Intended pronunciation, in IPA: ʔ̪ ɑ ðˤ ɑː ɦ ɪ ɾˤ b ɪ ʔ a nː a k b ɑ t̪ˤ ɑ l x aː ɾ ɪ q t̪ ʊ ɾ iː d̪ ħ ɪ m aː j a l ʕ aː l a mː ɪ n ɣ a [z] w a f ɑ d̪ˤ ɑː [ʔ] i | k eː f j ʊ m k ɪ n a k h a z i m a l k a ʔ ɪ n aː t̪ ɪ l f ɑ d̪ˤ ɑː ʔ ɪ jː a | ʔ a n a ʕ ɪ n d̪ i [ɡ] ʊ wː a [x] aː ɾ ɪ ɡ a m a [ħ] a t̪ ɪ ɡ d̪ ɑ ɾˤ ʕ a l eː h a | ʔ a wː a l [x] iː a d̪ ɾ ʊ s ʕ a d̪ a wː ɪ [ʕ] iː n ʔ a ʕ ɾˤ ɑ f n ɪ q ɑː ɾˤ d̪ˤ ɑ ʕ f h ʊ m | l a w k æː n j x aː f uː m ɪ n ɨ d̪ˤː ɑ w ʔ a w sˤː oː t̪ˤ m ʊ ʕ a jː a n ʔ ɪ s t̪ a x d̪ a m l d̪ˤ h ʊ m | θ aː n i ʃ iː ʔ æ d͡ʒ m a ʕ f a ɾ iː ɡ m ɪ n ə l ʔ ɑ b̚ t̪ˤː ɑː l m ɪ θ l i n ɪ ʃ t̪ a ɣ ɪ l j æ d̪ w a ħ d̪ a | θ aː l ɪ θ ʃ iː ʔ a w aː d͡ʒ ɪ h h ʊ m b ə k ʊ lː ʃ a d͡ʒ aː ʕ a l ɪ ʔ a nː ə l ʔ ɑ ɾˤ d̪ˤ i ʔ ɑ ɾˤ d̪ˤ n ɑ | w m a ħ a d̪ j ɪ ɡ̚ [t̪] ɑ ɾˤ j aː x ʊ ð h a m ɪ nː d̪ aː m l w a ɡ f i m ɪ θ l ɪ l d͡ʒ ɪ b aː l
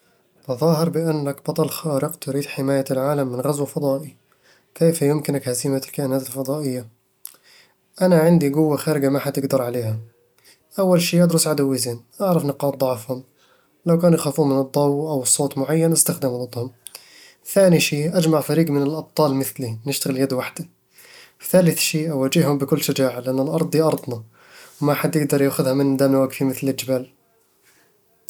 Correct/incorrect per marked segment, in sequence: correct, correct, correct, correct, correct, incorrect, incorrect, incorrect

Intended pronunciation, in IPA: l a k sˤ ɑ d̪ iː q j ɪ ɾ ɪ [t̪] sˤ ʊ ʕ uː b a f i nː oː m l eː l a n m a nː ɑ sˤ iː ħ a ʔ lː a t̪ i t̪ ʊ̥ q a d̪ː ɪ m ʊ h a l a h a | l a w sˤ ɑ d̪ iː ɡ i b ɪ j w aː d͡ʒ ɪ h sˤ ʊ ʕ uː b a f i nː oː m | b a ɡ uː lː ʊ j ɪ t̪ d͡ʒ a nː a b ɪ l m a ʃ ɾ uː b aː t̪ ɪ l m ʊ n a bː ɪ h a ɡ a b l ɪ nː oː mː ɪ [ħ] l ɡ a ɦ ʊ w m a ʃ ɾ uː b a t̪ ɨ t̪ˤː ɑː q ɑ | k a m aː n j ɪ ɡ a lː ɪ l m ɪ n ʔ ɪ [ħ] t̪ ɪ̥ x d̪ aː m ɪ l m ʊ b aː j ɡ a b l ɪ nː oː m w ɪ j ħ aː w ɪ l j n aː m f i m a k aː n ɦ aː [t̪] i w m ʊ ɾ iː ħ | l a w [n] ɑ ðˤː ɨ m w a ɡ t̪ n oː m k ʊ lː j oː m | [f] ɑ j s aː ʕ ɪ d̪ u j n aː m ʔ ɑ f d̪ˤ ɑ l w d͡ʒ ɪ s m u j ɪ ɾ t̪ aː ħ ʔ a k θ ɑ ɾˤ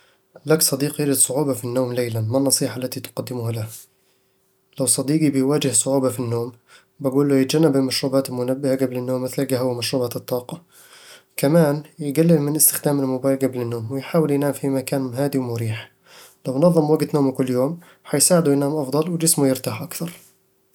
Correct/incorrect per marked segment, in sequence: incorrect, incorrect, incorrect, incorrect, correct, incorrect

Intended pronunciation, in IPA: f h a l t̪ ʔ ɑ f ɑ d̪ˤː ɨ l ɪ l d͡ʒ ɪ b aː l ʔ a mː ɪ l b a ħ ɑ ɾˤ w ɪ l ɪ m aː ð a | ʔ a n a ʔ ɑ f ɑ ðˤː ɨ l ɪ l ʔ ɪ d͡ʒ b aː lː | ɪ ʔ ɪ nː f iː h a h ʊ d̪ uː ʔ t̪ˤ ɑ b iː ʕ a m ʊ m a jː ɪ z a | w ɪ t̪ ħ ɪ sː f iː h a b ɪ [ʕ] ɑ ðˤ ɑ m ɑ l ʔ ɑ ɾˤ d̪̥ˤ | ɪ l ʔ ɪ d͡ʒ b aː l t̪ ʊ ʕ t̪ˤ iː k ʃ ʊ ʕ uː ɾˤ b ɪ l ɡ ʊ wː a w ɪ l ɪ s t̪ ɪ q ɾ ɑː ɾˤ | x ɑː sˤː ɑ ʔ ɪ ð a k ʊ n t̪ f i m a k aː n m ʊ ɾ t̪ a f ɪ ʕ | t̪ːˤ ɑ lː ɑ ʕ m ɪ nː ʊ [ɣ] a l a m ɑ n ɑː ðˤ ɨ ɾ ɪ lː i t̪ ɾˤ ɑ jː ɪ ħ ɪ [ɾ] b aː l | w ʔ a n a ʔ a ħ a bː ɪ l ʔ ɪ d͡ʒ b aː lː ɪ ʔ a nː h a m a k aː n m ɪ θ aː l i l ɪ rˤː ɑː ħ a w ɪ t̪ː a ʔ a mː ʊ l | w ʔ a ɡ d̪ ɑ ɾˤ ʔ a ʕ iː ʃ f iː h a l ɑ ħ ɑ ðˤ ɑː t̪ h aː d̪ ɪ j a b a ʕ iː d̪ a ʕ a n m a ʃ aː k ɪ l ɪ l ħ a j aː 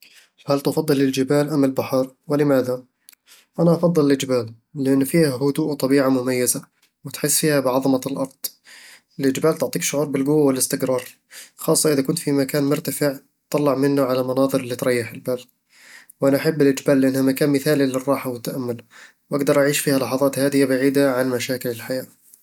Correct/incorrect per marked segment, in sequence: correct, incorrect, incorrect

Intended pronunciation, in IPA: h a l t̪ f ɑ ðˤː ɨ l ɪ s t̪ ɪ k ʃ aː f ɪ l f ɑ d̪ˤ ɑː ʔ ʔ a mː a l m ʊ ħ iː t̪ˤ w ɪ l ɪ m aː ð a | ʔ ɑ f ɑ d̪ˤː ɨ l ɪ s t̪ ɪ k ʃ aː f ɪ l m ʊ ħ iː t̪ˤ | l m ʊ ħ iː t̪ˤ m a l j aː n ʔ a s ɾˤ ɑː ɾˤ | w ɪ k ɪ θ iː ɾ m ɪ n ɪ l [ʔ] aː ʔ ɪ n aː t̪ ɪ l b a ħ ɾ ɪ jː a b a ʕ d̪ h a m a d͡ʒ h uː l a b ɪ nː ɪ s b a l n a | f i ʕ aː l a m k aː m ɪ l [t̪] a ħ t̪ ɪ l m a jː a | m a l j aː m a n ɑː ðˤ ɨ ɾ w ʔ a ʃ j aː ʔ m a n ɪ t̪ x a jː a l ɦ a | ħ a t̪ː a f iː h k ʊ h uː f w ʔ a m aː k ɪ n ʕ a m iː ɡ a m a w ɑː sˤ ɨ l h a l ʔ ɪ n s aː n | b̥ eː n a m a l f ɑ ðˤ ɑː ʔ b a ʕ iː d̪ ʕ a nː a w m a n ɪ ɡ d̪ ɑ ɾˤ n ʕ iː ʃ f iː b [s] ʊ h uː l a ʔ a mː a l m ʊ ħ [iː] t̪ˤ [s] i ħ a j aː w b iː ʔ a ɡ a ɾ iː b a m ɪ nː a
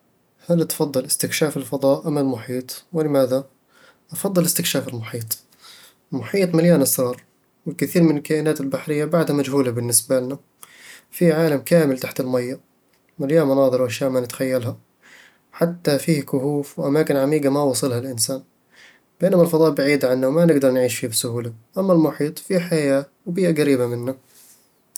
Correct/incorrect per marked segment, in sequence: incorrect, correct, correct, correct, incorrect

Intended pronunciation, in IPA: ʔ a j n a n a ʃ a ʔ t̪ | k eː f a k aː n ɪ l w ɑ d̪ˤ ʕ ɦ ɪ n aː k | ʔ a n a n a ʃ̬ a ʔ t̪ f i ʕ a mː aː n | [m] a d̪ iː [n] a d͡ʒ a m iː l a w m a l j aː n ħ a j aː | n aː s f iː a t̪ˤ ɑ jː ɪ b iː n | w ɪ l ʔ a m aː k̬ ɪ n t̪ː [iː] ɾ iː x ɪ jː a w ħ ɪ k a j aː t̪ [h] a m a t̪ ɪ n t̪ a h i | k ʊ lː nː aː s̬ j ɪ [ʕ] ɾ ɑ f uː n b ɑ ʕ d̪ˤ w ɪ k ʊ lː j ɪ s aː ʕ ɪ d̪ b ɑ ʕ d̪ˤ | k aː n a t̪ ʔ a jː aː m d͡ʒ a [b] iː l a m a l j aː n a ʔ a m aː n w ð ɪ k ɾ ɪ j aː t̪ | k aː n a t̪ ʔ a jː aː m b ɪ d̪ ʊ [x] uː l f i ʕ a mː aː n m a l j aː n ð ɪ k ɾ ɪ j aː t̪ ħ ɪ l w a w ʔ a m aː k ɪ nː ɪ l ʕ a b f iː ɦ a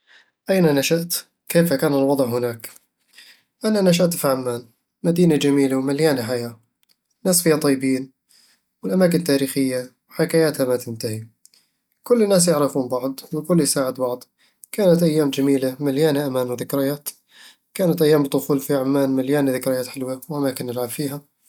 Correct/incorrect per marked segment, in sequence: correct, correct, incorrect, correct, correct, incorrect, correct

